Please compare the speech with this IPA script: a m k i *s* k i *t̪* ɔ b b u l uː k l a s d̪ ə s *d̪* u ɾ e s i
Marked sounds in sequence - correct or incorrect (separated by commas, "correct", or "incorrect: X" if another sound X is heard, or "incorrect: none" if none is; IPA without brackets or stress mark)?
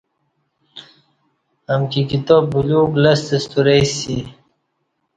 incorrect: none, correct, incorrect: t̪